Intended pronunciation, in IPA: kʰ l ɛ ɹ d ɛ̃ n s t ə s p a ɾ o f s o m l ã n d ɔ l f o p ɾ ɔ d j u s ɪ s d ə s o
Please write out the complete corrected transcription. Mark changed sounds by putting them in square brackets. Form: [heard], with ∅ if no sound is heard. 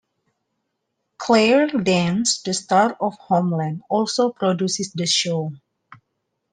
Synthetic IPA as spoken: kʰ l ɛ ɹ d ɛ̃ n s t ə s [t] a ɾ [ɔ] f [h] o m l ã n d ɔ l [s] o p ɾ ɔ d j u s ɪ s d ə [ʃ] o